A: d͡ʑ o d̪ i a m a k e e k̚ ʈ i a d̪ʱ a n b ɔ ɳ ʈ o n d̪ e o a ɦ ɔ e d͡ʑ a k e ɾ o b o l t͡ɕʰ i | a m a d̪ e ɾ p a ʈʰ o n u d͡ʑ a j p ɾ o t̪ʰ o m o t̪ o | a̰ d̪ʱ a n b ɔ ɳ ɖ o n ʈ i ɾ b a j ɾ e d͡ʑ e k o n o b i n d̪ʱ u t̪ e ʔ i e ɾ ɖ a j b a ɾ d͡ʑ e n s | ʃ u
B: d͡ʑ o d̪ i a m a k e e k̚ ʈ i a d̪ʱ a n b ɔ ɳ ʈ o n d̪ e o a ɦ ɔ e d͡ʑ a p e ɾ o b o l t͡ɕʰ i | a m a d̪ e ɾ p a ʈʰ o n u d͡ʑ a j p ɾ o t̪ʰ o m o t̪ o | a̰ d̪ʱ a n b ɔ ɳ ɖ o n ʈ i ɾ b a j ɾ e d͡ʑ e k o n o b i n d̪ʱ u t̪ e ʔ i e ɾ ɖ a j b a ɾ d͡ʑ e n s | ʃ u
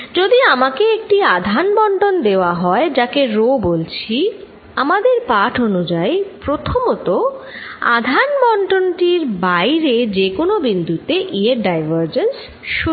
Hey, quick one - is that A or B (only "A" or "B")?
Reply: A